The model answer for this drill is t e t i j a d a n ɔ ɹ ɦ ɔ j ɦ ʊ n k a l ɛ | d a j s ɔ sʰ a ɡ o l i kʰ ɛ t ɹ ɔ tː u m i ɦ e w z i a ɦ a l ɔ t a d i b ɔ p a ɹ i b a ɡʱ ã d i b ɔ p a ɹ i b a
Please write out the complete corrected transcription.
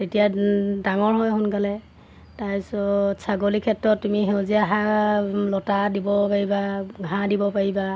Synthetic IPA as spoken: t e t i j a d a ŋ ɔ ɹ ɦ ɔ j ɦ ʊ n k a l ɛ | t a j s ɔ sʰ a ɡ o l i kʰ ɛ t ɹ ɔ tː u m i ɦ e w z i a ɦ a l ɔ t a d i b ɔ p a ɹ i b a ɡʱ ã d i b ɔ p a ɹ i b a

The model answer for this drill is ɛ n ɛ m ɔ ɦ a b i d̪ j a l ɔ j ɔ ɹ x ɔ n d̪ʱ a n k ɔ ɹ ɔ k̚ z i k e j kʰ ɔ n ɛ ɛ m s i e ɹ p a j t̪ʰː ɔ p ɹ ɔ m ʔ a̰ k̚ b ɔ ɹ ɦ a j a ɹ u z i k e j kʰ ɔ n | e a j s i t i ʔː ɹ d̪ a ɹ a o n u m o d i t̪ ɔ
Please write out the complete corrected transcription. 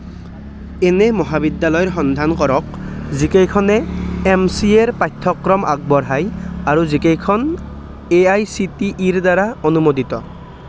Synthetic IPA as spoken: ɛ n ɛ m ɔ ɦ a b i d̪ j a l ɔ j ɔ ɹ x ɔ n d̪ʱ a n k ɔ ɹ ɔ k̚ z i k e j kʰ ɔ n ɛ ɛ m s i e ɹ p a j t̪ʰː ɔ k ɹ ɔ m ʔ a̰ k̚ b ɔ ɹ ɦ a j a ɹ u z i k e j kʰ ɔ n | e a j s i t i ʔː ɹ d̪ a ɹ a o n u m o d i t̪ ɔ

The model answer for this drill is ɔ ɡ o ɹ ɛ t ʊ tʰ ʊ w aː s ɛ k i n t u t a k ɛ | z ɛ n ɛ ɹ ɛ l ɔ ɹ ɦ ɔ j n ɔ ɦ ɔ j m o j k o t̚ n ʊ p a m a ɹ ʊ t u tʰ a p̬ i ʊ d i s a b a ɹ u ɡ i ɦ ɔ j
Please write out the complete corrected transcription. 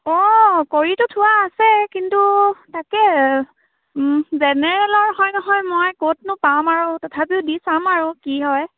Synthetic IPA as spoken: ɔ k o ɹ i t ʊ tʰ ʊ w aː s ɛ k i n t u t a k ɛ | z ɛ n ɛ ɹ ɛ l ɔ ɹ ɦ ɔ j n ɔ ɦ ɔ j m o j k o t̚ n ʊ p a m a ɹ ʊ t ɔ tʰ a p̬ i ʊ d i s a m a ɹ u k i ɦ ɔ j

